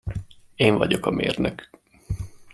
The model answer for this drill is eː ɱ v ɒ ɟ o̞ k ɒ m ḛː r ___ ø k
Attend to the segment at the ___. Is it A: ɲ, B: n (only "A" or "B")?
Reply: B